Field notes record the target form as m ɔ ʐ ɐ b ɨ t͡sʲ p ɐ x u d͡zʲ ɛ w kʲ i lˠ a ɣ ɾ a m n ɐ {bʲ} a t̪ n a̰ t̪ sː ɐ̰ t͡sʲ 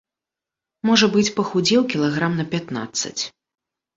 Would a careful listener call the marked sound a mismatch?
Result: yes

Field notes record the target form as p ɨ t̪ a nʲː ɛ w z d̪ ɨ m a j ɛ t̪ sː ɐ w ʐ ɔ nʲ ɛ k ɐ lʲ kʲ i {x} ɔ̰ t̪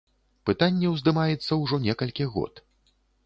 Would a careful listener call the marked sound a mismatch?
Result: yes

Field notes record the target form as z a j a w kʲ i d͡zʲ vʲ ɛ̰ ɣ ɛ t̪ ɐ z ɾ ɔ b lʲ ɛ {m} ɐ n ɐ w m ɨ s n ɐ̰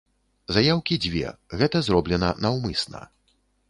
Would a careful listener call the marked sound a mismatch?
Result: yes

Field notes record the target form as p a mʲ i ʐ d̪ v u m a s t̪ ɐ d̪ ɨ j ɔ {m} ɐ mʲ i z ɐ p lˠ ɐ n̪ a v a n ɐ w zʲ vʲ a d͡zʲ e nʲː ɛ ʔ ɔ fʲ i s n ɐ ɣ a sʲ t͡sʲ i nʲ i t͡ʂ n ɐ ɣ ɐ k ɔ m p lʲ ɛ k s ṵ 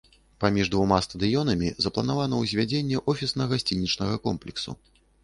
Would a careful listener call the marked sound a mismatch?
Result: yes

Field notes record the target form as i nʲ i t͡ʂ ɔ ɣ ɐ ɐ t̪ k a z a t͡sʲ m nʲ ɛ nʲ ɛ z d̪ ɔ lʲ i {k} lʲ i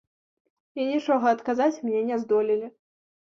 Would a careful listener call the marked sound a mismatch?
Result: yes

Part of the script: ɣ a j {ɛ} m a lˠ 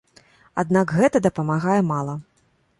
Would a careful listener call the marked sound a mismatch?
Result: no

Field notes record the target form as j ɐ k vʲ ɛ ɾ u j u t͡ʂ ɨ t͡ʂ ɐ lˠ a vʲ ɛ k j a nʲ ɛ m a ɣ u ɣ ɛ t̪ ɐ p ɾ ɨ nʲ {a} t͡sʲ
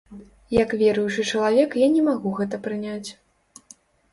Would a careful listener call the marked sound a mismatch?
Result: no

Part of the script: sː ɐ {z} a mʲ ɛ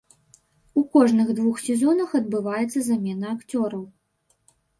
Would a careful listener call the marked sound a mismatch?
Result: no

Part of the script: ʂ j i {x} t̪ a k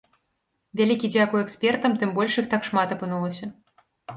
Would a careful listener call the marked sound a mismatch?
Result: no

